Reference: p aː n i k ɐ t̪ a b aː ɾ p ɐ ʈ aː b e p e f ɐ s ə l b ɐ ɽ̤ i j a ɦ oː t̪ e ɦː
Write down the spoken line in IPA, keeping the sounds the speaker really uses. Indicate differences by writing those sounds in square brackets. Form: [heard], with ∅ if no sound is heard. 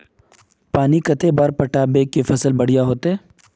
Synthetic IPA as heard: p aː n i k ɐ t̪ [e] b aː ɾ p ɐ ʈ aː b e [k] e f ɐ s ə l b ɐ ɽ̤ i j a ɦ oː t̪ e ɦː